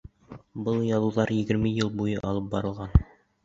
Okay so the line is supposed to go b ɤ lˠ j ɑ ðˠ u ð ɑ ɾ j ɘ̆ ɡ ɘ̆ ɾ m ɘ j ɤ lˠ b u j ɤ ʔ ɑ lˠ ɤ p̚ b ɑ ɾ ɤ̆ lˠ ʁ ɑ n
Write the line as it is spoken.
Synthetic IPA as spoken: b ɤ lˠ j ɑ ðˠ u ð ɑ ɾ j ɘ̆ ɡ ɘ̆ ɾ m ɘ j ɤ lˠ b u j ɤ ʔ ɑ lˠ ɤ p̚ b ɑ ɾ ɤ̆ lˠ ʁ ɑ n